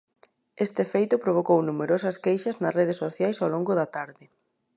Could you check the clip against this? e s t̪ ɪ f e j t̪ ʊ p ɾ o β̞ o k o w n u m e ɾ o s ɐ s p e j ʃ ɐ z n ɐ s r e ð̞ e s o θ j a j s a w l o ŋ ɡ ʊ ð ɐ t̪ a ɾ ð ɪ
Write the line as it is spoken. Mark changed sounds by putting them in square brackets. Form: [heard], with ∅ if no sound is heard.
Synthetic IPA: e s t̪ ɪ f e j t̪ ʊ p ɾ o β̞ o k o w n u m e ɾ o s ɐ s [k] e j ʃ ɐ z n ɐ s r e ð̞ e s o θ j a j s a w l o ŋ ɡ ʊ ð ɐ t̪ a ɾ ð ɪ